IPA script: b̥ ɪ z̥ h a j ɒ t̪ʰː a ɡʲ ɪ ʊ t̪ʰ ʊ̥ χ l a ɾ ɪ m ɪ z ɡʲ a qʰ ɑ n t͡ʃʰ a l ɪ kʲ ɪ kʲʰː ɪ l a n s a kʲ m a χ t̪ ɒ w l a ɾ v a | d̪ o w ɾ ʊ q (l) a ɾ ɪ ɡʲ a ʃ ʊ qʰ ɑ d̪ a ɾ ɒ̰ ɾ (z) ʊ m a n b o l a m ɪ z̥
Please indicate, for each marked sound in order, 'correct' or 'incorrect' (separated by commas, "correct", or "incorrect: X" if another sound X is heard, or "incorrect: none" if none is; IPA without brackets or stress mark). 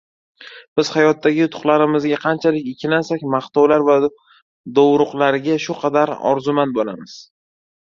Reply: correct, correct